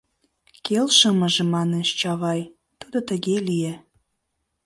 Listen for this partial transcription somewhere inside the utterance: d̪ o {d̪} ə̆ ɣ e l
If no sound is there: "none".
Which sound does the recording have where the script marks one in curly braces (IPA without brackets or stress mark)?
t̪